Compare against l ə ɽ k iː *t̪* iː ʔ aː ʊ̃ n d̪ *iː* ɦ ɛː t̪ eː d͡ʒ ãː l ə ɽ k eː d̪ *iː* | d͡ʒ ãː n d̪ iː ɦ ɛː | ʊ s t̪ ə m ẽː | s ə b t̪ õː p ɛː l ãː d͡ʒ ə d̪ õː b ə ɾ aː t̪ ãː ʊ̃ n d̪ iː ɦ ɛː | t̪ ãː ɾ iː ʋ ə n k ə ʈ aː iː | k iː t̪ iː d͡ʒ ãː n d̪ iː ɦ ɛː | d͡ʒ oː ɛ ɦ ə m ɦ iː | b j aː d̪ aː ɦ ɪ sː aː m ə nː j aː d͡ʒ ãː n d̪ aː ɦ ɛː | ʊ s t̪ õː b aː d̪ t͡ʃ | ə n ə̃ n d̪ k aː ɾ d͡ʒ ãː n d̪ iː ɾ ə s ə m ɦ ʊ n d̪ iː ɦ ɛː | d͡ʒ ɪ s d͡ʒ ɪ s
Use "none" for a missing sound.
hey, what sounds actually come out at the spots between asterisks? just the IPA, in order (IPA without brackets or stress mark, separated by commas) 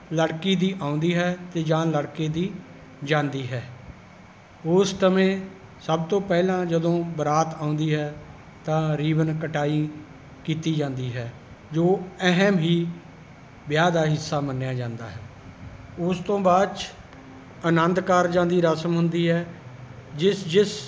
d̪, iː, iː